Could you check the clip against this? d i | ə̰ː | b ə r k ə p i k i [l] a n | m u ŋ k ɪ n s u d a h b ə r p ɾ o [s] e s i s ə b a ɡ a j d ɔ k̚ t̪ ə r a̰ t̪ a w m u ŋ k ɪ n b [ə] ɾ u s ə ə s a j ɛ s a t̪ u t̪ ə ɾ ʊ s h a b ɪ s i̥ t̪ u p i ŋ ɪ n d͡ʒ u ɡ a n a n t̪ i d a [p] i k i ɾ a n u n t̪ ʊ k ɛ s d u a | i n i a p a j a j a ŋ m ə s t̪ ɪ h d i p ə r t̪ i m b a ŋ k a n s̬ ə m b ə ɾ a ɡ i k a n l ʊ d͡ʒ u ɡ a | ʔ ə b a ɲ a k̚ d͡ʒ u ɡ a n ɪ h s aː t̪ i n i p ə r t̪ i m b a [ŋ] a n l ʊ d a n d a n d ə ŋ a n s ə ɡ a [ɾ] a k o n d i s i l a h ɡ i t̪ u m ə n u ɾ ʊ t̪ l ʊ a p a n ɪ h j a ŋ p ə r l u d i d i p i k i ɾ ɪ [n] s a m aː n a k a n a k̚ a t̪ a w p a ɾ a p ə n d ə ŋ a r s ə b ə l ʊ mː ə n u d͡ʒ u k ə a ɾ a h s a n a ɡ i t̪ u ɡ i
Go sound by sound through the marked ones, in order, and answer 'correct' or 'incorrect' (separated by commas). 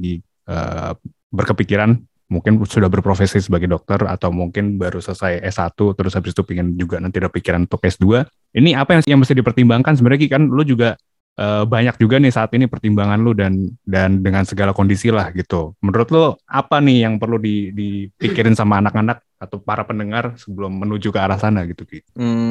incorrect, incorrect, incorrect, correct, correct, incorrect, correct